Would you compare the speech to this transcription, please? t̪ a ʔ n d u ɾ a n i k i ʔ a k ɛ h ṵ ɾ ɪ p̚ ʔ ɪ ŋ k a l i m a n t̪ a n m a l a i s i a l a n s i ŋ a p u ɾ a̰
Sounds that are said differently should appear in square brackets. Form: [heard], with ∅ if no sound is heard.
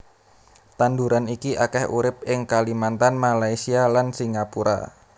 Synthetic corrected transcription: t̪ a [∅] n d u ɾ a n i k i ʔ a k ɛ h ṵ ɾ ɪ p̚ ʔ ɪ ŋ k a l i m a n t̪ a n m a l a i s i a l a n s i ŋ a p u ɾ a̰